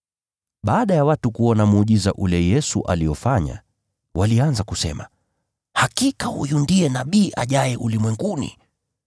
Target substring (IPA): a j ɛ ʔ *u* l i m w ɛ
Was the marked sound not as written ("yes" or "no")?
no